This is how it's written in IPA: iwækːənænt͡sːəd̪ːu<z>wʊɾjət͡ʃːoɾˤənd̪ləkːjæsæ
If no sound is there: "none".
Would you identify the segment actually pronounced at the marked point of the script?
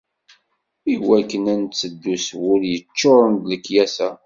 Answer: s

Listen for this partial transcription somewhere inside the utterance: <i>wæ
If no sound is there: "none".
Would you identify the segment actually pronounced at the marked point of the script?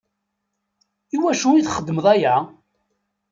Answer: i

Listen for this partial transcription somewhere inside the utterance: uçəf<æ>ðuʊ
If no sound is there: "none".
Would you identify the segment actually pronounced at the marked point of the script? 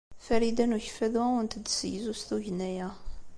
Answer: æ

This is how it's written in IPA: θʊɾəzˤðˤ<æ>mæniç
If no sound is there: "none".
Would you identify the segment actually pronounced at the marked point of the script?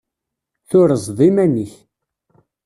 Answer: i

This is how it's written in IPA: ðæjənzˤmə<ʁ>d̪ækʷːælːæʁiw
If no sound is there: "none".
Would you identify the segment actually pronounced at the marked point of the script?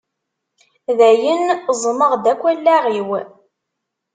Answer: ʁ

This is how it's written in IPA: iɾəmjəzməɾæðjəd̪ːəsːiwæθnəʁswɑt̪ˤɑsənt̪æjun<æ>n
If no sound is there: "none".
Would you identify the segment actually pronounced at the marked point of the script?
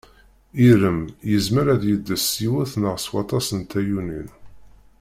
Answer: i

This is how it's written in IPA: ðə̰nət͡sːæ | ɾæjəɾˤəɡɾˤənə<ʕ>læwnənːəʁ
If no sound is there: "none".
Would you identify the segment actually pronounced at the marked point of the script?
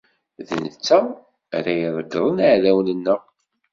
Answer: ʕ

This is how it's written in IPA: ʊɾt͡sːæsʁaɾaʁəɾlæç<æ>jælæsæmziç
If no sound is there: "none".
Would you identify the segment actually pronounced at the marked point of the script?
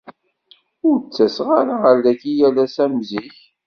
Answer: i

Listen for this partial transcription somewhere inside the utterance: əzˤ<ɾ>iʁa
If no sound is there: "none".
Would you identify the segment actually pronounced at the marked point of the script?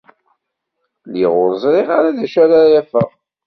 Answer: ɾ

